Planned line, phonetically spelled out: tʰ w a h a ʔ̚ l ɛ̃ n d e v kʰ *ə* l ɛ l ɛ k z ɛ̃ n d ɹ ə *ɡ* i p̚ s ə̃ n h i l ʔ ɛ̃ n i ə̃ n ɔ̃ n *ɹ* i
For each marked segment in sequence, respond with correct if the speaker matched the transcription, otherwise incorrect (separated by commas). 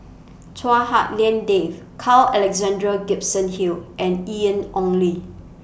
incorrect, correct, incorrect